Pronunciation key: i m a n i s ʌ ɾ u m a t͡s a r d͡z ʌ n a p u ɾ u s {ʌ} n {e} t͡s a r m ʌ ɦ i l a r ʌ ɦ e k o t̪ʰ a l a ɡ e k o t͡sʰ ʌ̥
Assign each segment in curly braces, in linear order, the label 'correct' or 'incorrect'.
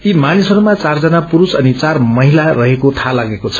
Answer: correct, incorrect

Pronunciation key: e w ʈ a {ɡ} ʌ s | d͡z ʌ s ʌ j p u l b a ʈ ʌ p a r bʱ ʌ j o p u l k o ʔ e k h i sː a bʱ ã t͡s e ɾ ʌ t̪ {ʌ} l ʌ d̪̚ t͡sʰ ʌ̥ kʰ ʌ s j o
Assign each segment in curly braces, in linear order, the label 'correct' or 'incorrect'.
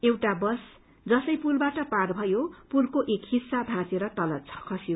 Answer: incorrect, correct

